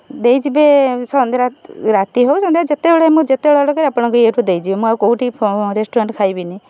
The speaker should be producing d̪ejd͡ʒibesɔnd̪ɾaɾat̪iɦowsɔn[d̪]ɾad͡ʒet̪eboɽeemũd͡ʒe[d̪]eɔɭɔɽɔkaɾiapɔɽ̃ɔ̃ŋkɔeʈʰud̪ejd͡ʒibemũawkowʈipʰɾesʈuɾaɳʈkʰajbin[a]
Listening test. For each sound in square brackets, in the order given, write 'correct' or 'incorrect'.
correct, incorrect: t̪, incorrect: i

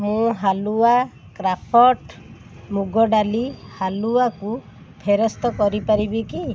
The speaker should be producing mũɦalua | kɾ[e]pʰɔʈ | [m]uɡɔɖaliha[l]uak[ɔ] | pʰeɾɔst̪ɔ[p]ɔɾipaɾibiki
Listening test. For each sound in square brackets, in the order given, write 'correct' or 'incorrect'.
incorrect: a, correct, correct, incorrect: u, incorrect: k

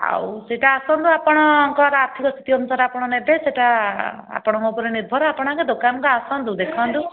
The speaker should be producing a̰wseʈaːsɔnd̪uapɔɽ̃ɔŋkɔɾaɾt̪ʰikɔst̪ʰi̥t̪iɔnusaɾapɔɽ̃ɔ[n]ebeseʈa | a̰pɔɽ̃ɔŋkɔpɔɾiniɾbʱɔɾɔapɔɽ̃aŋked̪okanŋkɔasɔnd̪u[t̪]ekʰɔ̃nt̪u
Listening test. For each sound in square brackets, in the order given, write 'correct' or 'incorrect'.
correct, incorrect: d̪

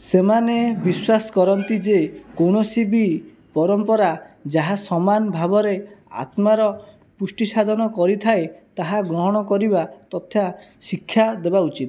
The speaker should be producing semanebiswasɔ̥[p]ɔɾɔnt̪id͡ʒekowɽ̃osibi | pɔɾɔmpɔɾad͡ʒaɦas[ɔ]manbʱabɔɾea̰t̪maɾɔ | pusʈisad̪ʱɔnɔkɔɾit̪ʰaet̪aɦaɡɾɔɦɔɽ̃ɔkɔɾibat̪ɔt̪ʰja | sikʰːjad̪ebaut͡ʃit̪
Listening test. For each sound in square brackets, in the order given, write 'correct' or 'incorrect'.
incorrect: k, correct

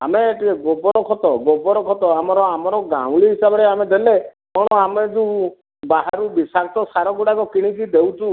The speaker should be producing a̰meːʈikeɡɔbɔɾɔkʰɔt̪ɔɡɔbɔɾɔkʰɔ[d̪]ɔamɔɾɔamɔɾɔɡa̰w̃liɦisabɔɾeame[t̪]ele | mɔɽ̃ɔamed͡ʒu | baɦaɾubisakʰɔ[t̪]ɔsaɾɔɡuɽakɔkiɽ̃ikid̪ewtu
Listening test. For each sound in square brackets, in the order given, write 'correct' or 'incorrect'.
incorrect: t̪, incorrect: d̪, correct

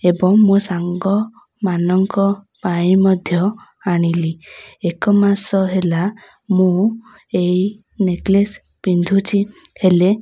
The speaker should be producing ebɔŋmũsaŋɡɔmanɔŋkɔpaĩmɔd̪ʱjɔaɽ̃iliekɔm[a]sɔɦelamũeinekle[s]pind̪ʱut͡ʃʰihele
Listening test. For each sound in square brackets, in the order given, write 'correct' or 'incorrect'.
correct, correct

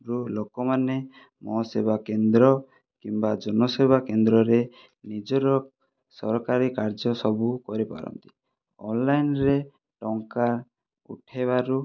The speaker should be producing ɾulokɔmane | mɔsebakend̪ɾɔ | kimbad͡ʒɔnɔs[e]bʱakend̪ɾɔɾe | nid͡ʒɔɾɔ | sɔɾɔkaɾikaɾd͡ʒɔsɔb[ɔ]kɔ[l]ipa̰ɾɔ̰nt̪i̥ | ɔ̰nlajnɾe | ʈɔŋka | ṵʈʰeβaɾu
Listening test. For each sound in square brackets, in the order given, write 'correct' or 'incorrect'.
correct, incorrect: u, incorrect: ɾ

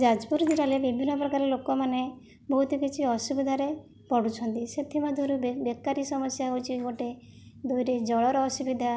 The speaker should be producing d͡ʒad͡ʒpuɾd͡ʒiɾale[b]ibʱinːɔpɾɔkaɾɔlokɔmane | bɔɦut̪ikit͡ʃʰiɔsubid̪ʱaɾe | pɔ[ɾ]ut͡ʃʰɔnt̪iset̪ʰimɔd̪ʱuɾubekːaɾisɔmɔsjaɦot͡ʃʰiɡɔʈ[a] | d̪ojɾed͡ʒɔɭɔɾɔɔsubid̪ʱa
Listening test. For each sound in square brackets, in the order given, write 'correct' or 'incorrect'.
correct, incorrect: ɽ, incorrect: e

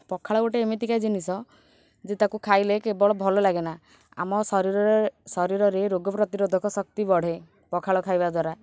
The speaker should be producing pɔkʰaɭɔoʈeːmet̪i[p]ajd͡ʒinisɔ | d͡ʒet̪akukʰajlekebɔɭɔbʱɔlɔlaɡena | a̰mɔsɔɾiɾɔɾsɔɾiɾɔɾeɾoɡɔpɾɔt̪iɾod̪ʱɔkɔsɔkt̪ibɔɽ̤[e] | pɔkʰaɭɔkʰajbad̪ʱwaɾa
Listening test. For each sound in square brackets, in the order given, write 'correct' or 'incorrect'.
incorrect: k, correct

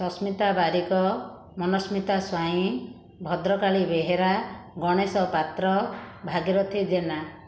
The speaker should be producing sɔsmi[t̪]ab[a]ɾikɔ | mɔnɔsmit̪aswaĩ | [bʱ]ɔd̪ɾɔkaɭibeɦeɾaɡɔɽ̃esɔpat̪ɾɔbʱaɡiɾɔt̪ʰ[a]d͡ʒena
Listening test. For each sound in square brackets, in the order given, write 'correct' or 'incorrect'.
correct, correct, correct, incorrect: i

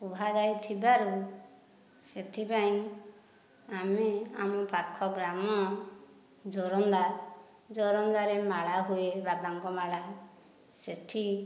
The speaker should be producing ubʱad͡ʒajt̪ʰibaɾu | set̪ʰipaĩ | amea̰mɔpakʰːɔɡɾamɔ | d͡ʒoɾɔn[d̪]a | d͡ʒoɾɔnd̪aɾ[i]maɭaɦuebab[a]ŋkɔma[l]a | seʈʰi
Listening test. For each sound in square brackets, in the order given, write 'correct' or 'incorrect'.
correct, incorrect: e, correct, incorrect: ɭ

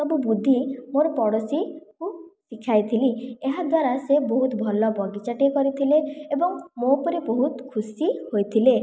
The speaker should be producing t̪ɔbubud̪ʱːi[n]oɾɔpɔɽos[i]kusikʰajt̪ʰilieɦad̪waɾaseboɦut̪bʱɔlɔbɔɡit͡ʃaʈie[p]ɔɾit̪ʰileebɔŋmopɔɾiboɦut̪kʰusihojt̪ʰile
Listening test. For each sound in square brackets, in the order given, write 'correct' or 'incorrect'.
incorrect: m, correct, incorrect: k

